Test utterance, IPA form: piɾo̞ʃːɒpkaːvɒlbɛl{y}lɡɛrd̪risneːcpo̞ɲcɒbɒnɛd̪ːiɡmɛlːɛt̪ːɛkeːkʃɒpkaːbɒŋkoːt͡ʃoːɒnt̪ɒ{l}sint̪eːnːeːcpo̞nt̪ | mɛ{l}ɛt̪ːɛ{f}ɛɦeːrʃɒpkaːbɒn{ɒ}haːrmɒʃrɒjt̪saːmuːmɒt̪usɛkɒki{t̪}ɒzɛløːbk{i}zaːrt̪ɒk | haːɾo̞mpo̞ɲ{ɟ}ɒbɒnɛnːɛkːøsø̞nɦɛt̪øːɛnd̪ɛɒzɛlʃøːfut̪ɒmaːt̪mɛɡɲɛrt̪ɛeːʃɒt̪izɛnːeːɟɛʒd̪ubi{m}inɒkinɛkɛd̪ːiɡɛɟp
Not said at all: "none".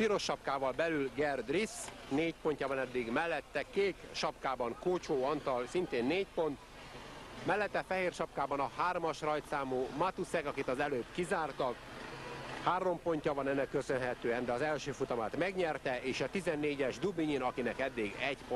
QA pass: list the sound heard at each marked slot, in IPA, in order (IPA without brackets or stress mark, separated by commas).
y, l, lː, f, ɒ, t̪, i, c, ɲ